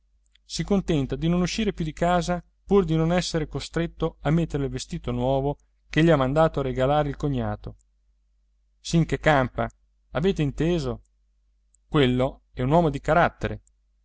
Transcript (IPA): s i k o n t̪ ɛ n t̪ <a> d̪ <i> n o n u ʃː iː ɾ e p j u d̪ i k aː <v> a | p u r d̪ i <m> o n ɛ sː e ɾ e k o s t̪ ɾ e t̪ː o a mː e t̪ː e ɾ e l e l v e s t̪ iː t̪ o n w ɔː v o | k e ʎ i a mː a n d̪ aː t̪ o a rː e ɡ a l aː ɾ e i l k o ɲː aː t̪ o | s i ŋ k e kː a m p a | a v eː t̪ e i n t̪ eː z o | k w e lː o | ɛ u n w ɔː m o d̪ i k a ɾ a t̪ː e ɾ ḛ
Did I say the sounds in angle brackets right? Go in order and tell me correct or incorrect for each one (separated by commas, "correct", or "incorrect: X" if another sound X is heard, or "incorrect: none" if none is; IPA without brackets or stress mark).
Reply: correct, correct, incorrect: z, incorrect: n